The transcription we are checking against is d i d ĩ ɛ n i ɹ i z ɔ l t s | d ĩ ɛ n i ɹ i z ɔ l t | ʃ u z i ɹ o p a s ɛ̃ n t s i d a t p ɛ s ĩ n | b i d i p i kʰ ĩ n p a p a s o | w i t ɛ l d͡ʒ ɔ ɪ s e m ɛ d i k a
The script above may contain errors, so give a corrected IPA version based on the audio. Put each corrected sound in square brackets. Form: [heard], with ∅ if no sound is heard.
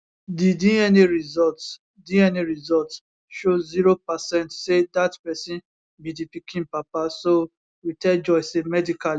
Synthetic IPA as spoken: d i d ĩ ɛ n i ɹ i z ɔ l t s | d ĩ ɛ n i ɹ i z ɔ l t | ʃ [o] z i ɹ o p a s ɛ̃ n t s [e] d a t p ɛ s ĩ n | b i d i p i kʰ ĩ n p a p a s o | w i t ɛ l d͡ʒ ɔ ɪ s e m ɛ d i k a